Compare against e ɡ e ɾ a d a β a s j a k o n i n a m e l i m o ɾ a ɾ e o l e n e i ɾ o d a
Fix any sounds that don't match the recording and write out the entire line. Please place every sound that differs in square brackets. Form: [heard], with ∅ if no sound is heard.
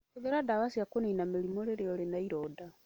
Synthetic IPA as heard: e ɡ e ɾ a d a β a s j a k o n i n a m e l i m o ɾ [e] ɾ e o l e n [a] i ɾ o d a